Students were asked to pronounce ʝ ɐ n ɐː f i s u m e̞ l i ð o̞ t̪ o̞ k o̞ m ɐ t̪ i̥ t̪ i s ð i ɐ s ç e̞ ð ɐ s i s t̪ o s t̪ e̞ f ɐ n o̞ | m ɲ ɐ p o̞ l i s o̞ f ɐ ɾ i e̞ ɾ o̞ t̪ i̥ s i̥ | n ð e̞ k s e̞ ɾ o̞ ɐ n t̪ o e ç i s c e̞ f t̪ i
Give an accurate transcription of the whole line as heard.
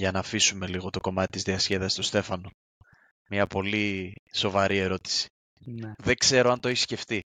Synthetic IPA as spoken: ʝ ɐ n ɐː f i s u m e̞ l i ɣ o̞ t̪ o̞ k o̞ m ɐ t̪ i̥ t̪ i z ð i ɐ s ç e̞ ð ɐ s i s t̪ o s t̪ e̞ f ɐ n o̞ | m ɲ ɐ p o̞ l i s o̞ v ɐ ɾ i e̞ ɾ o̞ t̪ i̥ s i̥ | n ð e̞ k s e̞ ɾ o̞ ɐ n t̪ o e ç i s c e̞ f t̪ i